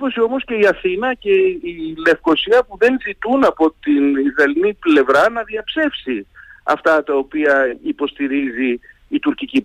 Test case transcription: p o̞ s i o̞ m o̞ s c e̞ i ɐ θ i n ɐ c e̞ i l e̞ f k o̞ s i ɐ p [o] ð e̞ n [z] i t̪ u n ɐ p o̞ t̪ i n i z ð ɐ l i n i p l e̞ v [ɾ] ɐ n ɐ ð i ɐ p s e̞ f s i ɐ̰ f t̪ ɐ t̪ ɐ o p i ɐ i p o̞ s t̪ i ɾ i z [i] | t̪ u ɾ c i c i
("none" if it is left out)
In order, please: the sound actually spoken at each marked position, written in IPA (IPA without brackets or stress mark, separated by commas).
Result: u, z, ɾ, iː